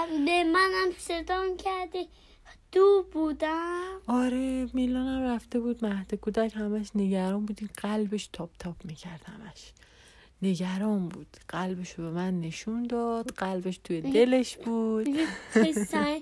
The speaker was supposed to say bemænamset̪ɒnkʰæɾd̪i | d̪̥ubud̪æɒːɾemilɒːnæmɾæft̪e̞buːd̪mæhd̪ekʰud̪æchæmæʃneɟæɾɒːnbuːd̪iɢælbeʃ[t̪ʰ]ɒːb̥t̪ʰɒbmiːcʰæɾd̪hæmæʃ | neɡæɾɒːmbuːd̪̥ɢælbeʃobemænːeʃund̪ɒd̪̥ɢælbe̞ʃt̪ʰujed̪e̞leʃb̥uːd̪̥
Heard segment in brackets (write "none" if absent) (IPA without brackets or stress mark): t̪ʰ